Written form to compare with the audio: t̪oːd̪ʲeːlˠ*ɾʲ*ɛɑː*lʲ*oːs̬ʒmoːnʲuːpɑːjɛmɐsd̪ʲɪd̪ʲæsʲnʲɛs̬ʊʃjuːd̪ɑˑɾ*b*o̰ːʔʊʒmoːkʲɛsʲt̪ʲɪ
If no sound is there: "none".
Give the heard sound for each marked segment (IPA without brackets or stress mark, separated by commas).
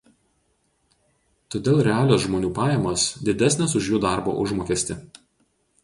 ɾʲ, lʲ, b